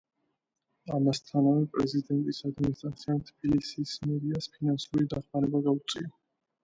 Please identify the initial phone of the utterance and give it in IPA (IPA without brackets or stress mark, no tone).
a